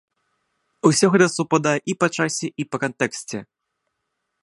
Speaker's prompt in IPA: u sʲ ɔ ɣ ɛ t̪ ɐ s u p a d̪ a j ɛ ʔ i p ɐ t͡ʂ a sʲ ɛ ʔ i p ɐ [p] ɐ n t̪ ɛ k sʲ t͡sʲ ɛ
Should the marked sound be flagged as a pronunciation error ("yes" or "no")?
yes